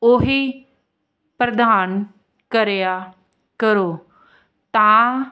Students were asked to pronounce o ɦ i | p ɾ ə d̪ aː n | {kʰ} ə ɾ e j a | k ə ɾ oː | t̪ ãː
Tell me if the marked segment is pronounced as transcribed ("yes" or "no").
no